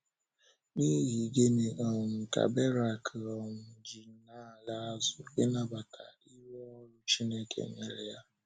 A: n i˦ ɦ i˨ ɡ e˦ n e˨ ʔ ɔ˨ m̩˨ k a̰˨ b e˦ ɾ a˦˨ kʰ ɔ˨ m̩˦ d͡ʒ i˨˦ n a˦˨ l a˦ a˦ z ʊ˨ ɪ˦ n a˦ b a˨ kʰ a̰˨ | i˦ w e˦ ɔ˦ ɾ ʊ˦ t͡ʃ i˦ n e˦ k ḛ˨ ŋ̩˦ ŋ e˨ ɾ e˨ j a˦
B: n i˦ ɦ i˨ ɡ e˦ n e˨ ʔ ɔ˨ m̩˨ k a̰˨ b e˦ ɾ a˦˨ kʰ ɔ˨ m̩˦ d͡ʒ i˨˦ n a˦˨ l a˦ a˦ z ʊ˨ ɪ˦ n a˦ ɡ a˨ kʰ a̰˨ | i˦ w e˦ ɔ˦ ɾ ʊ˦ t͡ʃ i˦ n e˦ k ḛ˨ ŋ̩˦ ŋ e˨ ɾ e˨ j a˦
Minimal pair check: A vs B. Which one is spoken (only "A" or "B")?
A